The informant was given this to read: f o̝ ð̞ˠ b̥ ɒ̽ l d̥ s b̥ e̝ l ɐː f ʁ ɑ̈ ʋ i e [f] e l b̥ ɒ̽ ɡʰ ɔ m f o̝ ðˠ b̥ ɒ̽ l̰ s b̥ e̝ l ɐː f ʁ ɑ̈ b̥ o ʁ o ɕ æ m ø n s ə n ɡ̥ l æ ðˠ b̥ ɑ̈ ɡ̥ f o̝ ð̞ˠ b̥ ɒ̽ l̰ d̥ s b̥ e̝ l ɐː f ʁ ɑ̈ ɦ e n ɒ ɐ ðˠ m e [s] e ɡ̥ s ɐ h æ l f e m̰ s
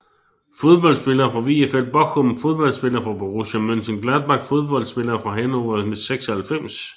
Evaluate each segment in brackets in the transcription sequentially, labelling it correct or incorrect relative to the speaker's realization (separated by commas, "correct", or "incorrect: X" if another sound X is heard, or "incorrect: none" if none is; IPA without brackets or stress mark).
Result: correct, correct